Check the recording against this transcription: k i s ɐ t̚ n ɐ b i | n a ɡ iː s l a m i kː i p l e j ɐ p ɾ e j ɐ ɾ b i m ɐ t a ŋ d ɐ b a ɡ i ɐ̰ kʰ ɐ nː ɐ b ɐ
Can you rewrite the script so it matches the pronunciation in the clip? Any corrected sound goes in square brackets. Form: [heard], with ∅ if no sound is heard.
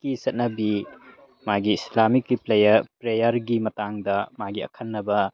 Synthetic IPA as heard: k i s ɐ t̚ n ɐ b i | [m] a ɡ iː s l a m i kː i p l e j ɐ p ɾ e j ɐ ɾ [ɡ] i m ɐ t a ŋ d ɐ [m] a ɡ i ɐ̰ kʰ ɐ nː ɐ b ɐ